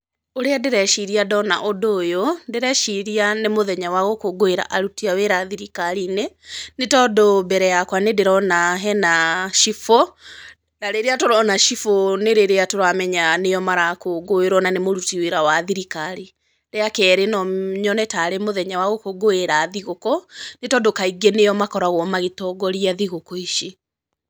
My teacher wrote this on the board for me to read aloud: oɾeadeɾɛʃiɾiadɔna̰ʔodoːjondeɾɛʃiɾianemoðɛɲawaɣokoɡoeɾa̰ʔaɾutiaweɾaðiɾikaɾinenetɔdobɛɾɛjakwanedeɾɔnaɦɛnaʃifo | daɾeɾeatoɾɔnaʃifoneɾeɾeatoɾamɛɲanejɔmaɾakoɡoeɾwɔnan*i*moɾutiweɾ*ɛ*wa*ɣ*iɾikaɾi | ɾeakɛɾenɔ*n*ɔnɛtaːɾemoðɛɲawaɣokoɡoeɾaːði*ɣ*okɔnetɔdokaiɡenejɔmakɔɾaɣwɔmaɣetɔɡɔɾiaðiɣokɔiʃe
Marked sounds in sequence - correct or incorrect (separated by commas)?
incorrect, incorrect, incorrect, incorrect, correct